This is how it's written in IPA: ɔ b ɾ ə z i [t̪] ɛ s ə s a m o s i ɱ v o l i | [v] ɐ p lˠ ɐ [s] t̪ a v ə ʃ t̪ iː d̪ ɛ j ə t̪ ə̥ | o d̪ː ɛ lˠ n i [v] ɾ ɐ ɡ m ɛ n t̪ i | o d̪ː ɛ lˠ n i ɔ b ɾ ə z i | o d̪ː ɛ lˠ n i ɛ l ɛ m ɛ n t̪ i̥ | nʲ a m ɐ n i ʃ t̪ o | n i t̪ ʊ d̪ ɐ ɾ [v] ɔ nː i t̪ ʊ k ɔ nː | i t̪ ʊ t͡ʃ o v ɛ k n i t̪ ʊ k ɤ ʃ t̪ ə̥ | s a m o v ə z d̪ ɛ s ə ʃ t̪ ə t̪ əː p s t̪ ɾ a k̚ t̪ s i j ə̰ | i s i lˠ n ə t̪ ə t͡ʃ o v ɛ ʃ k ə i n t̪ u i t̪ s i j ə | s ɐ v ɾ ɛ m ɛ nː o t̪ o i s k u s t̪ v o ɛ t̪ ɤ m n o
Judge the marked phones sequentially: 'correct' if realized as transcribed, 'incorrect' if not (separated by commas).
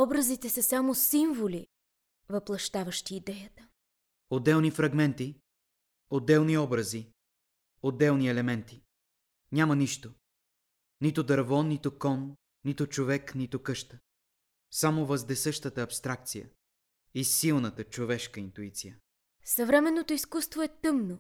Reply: correct, correct, incorrect, incorrect, correct